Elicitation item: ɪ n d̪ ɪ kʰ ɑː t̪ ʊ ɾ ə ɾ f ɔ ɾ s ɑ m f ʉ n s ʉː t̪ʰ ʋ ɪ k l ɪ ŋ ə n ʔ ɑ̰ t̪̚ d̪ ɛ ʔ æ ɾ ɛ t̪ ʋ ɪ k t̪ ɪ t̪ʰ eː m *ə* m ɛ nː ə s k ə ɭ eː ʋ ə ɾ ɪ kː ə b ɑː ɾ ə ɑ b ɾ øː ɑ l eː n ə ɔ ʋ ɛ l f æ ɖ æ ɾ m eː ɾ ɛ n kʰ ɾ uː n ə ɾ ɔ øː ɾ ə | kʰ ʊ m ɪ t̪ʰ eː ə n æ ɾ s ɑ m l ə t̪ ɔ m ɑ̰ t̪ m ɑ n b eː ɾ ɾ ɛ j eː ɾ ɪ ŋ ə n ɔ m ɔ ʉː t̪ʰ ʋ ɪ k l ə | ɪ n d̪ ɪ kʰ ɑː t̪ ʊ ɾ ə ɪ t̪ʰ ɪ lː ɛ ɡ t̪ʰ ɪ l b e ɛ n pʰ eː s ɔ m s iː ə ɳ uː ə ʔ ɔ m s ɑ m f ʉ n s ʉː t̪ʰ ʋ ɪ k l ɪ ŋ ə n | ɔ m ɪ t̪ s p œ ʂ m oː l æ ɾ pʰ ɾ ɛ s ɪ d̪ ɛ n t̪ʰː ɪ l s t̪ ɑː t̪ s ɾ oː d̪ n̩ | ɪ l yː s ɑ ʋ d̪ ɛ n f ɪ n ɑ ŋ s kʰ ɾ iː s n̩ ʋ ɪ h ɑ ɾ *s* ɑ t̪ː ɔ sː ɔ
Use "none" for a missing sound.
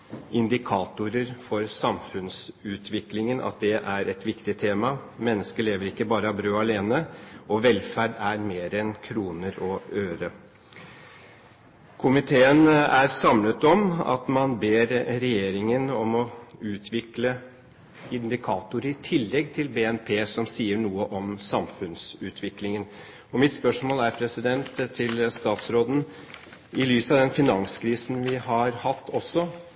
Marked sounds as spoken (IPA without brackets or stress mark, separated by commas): ɑ, h